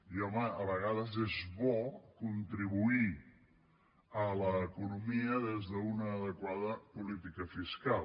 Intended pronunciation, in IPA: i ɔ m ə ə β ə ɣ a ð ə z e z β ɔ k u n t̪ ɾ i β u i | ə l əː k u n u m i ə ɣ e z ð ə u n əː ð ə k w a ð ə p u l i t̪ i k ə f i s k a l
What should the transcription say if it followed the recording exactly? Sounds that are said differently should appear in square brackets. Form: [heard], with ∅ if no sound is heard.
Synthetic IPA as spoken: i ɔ m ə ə β ə ɣ a ð ə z e z β ɔ k u n t̪ ɾ i β u i | ə l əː k u n u m i ə [ð] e z ð ə u n əː ð ə k w a ð ə p u l i t̪ i k ə f i s k a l